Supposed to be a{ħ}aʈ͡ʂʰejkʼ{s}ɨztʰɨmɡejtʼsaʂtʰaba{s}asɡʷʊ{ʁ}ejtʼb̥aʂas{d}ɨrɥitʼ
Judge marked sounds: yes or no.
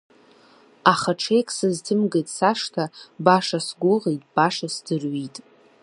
no, yes, no, yes, yes

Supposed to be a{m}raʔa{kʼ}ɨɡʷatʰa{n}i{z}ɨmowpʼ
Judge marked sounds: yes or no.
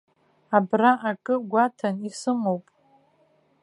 no, yes, yes, no

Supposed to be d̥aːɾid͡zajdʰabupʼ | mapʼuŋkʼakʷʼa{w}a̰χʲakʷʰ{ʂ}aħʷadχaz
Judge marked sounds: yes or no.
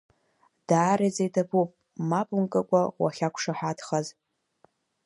yes, yes

